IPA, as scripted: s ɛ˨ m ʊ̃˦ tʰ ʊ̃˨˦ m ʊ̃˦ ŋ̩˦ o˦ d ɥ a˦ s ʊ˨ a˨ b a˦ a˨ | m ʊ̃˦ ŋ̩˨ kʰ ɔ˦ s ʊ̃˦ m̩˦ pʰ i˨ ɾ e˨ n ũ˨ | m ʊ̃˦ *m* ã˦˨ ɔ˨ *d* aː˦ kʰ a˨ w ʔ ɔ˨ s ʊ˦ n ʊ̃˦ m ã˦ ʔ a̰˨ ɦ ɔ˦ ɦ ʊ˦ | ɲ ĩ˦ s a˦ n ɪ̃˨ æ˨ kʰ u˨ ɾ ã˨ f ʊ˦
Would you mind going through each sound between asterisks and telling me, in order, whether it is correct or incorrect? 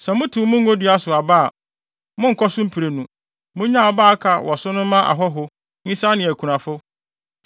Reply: incorrect: ɲ, incorrect: b

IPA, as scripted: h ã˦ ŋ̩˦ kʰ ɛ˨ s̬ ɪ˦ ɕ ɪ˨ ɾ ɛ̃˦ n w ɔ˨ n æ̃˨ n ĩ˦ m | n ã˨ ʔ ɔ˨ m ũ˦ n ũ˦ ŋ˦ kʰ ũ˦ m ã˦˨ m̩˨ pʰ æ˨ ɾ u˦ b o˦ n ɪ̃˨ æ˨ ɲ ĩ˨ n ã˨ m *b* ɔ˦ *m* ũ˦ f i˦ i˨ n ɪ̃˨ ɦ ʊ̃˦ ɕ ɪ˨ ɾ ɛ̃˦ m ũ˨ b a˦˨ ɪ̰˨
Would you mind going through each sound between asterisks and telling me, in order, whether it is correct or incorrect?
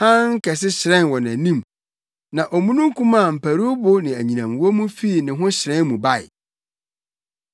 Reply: incorrect: w, correct

